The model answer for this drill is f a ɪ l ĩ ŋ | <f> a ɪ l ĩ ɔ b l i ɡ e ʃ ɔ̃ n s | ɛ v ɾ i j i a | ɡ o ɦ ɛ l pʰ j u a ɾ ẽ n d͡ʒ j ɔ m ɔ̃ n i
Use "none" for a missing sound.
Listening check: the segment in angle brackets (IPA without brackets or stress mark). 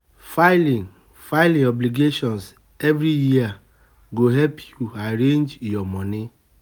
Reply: f